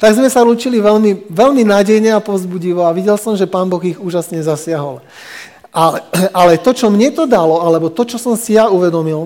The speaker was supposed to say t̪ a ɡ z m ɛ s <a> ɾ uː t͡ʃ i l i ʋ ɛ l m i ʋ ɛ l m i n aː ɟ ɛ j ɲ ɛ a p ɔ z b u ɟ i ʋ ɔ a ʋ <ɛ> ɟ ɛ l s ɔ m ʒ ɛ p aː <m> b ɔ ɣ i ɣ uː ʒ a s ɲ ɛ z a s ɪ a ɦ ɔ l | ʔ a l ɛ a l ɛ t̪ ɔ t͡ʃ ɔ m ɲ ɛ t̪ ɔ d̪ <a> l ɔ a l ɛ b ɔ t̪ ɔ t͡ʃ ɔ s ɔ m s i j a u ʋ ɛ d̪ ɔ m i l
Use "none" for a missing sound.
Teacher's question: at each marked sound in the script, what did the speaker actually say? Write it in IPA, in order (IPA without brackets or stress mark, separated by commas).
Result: a, i, n, a